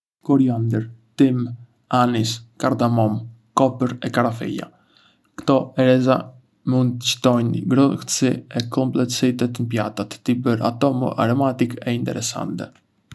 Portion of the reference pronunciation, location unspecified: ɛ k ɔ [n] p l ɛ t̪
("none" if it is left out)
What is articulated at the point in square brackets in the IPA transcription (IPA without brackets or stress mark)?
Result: m